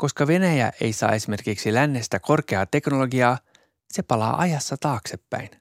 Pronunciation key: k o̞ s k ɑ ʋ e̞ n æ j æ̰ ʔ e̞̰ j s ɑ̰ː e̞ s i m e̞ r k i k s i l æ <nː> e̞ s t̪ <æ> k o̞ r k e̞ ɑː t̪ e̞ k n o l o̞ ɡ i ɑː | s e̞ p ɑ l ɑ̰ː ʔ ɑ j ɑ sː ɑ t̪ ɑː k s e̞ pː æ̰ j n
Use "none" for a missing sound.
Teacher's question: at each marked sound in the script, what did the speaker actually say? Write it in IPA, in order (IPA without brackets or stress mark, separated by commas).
nː, æ